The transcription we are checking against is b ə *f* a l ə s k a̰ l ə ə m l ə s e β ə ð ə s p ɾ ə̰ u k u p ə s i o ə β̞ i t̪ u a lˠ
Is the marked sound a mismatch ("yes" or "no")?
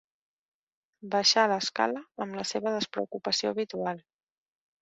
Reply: yes